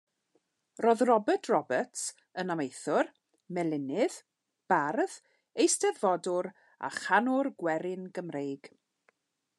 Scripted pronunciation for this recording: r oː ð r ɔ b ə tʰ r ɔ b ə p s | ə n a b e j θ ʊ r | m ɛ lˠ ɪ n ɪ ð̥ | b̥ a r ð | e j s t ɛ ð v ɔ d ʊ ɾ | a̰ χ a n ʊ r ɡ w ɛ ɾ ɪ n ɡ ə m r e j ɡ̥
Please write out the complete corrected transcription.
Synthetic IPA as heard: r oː ð r ɔ b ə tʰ r ɔ b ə t s | ə n a m e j θ ʊ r | m ɛ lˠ ɪ n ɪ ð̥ | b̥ a r ð | e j s t ɛ ð v ɔ d ʊ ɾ | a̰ χ a n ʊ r ɡ w ɛ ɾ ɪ n ɡ ə m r e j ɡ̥

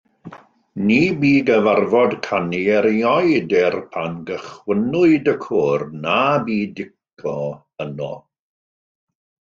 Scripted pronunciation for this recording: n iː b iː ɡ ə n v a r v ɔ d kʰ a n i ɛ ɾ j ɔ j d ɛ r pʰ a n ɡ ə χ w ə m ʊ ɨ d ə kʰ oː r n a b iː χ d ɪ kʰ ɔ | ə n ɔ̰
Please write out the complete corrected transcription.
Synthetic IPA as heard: n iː b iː ɡ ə v a r v ɔ d kʰ a n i ɛ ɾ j ɔ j d ɛ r pʰ a n ɡ ə χ w ə n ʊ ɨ d ə kʰ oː r n a b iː d ɪ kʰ ɔ | ə n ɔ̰

